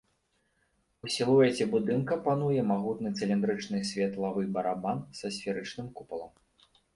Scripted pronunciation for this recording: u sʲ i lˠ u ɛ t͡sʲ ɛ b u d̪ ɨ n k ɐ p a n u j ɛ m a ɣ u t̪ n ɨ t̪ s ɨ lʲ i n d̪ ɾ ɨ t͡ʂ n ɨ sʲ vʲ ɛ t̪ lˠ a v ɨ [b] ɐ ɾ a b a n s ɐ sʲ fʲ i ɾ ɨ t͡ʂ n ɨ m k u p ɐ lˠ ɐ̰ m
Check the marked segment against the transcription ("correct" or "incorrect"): correct